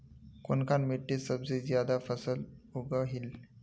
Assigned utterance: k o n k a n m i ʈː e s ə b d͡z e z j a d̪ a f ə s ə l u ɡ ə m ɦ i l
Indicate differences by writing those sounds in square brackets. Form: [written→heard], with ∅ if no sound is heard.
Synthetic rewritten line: k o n k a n m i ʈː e s ə b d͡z e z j a d̪ a f ə s ə l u ɡ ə [m→∅] ɦ i l